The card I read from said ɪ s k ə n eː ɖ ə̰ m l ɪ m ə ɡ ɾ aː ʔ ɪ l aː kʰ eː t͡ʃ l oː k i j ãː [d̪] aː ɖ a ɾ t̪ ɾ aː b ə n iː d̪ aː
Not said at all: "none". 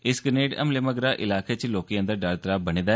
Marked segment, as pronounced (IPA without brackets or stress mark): d̪